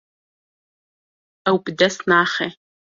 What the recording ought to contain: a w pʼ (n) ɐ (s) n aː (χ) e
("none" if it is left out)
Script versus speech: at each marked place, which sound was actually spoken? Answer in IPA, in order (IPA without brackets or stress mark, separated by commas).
d, s, χ